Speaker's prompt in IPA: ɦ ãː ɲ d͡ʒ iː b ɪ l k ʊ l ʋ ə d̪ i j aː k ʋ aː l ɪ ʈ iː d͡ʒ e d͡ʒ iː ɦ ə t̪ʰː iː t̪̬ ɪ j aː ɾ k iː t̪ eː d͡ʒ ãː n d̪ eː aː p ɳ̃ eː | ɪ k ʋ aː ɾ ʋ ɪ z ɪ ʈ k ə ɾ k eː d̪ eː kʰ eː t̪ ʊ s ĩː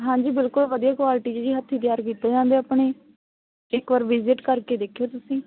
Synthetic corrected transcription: ɦ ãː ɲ d͡ʒ iː b ɪ l k ʊ l ʋ ə d̪ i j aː k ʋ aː l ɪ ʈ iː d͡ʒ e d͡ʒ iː ɦ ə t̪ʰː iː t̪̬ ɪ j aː ɾ k iː t̪ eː d͡ʒ ãː n d̪ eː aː p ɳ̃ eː | ɪ k ʋ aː ɾ ʋ ɪ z ɪ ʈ k ə ɾ k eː d̪ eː kʰ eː t̪ ʊ s ĩː